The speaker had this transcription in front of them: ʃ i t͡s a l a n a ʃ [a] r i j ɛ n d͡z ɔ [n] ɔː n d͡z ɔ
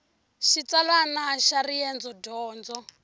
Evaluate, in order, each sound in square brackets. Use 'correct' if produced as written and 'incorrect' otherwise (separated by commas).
correct, incorrect